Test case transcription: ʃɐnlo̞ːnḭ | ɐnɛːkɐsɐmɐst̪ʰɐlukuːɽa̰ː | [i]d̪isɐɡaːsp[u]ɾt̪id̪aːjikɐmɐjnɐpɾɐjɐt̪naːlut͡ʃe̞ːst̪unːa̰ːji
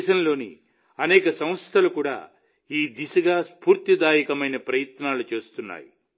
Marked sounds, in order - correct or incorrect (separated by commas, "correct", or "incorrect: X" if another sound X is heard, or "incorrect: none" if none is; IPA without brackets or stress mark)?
incorrect: iː, incorrect: uː